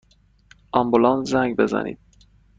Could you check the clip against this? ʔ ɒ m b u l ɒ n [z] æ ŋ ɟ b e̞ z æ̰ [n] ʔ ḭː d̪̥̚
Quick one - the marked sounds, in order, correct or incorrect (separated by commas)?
correct, correct